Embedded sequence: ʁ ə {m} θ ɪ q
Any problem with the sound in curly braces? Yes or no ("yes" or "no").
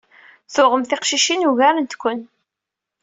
no